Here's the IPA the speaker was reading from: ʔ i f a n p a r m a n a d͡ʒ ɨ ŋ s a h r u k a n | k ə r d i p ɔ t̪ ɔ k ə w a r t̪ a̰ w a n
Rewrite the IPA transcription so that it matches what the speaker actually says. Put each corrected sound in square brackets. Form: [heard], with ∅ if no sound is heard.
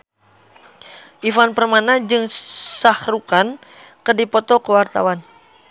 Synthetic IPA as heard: ʔ i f a n p [ə] r m a n a d͡ʒ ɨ ŋ s a h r u k a n | k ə r d i p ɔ t̪ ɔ k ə w a r t̪ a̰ w a n